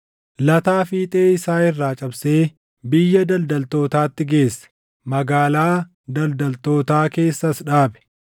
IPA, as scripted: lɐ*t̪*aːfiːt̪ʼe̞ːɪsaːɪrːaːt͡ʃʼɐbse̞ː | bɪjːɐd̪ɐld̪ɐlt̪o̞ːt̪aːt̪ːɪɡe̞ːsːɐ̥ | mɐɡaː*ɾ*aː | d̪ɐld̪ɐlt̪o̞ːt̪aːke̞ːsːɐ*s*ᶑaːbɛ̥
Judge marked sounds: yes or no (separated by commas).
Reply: yes, no, yes